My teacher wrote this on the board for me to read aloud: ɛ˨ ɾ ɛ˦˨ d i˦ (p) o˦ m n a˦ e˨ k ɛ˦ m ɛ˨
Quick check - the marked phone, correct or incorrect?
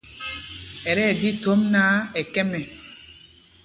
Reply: incorrect